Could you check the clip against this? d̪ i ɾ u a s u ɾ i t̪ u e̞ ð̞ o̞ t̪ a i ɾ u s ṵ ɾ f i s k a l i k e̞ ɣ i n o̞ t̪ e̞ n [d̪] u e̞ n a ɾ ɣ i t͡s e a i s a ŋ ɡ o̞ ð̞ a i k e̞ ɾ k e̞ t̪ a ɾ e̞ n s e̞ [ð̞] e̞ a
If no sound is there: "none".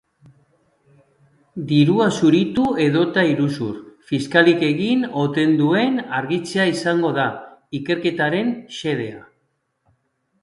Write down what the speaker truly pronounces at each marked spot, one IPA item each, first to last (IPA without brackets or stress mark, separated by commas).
d̪, ð̞